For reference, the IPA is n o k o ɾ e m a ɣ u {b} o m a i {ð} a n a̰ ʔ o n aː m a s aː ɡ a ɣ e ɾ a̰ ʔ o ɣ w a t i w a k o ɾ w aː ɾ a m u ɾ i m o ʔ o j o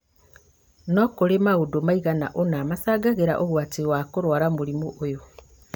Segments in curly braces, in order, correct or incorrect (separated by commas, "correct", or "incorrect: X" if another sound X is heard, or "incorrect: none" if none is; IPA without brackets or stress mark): incorrect: d, incorrect: ɣ